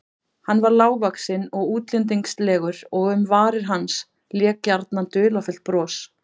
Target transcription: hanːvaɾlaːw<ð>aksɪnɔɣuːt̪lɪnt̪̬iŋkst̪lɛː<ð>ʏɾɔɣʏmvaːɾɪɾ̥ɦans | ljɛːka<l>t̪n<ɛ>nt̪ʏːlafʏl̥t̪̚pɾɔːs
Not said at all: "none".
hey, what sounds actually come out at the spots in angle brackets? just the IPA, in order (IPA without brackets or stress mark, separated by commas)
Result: v, ɣ, ɾ, a